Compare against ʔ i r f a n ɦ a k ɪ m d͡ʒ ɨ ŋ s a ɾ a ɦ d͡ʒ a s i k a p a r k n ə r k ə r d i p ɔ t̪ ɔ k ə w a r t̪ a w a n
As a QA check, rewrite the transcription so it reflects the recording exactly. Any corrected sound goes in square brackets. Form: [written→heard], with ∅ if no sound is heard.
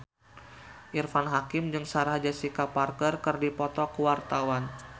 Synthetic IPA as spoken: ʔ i r f a n ɦ a k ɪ m d͡ʒ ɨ ŋ s a ɾ a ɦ d͡ʒ a s i k a p a r k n ə r k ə r d i p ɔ t̪ ɔ k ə w a r t̪ a w a n